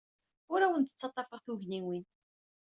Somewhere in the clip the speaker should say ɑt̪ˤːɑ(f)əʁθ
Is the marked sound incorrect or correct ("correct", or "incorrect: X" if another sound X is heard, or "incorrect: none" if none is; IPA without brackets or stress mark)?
correct